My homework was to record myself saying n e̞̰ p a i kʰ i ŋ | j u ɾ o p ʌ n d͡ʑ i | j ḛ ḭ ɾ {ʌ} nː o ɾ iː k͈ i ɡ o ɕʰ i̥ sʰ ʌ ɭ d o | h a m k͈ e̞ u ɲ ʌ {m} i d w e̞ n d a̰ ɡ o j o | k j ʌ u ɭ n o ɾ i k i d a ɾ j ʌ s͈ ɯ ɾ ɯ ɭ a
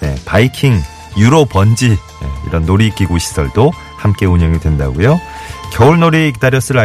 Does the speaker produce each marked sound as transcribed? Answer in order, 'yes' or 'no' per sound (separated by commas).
yes, no